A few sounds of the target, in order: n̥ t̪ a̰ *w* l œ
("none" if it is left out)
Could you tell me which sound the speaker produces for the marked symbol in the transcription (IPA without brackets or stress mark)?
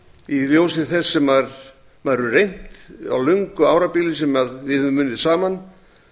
w